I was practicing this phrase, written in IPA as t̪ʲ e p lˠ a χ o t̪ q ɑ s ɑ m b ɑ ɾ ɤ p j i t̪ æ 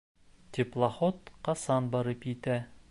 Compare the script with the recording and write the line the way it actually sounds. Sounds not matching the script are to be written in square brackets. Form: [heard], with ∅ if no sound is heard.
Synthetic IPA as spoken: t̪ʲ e p lˠ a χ o t̪ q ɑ s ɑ [n] b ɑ ɾ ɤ p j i t̪ æ